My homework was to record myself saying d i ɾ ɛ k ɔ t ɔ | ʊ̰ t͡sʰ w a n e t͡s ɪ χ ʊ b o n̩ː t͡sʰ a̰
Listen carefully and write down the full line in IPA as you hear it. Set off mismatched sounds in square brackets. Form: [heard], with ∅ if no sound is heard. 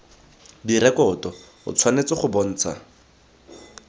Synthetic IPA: d i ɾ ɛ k ɔ t ɔ | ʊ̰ t͡sʰ w a n e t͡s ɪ χ ʊ b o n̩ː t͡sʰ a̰

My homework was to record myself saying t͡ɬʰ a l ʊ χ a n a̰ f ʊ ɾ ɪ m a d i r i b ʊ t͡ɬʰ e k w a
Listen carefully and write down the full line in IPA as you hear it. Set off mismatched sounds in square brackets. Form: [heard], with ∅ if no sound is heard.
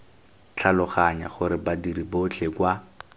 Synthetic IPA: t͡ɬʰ a l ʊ χ a [ɲ] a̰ [χ] ʊ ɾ ɪ [b] a d i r i b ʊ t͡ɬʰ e k w a

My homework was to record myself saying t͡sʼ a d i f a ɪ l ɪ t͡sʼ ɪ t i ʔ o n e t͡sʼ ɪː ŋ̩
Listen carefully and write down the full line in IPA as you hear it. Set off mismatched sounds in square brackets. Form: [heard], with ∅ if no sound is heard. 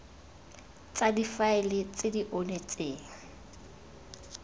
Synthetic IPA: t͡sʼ a d i f a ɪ l ɪ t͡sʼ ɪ [d] i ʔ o n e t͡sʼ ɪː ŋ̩

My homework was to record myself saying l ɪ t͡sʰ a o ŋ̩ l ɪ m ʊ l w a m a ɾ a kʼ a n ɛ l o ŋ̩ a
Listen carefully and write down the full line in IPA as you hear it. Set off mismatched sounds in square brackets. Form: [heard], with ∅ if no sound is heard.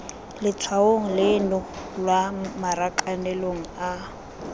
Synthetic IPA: l ɪ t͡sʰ a o ŋ̩ l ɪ [n] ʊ l w a m a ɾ a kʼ a n ɛ l o ŋ̩ a

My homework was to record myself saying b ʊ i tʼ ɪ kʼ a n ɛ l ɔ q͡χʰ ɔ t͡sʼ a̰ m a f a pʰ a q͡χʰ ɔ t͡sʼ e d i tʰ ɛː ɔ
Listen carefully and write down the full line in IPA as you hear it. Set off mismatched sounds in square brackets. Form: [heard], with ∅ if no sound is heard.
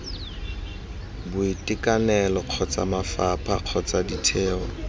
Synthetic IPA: b ʊ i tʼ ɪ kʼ a n ɛ l ɔ q͡χʰ ɔ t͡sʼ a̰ m a f a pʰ a q͡χʰ ɔ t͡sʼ [a] d i tʰ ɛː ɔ

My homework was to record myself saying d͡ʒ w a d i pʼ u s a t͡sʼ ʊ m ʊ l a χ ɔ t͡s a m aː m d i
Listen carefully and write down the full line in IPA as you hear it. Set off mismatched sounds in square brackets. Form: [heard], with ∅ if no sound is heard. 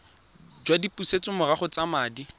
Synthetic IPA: d͡ʒ w a d i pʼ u s [e] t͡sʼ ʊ m ʊ [r] a χ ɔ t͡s a m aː [∅] d i

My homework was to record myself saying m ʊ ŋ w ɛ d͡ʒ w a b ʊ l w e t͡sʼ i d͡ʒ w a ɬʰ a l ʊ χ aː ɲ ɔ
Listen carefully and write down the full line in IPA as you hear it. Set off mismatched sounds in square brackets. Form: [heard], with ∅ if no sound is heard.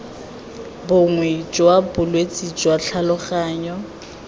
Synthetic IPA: [b] ʊ ŋ w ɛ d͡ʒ w a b ʊ l w e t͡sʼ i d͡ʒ w a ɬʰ a l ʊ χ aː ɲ ɔ

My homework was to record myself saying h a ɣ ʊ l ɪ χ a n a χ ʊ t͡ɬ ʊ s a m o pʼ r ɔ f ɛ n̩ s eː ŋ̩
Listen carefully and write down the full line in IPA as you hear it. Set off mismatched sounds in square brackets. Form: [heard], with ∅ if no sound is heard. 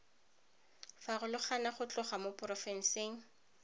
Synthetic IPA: [f] a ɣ ʊ l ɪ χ a n a χ ʊ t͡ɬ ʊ [χ] a m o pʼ r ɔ f ɛ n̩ s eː ŋ̩

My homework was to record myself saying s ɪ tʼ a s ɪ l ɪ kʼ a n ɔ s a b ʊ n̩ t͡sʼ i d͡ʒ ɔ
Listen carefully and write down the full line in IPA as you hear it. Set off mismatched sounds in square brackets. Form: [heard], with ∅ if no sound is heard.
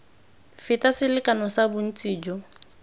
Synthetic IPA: [f] ɪ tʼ a s ɪ l ɪ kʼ a n ɔ s a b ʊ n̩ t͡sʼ [iː] d͡ʒ ɔ

